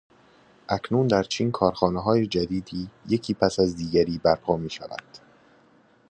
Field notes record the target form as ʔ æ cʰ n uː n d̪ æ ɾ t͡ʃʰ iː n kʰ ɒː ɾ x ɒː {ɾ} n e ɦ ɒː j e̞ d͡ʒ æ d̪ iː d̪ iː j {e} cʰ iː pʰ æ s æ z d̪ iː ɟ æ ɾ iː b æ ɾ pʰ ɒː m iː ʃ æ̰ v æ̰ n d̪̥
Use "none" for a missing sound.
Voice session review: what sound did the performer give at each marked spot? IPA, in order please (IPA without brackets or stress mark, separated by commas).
none, e